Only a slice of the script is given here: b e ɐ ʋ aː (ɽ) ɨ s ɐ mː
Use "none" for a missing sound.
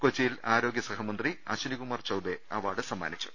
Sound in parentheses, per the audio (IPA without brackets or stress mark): ɽ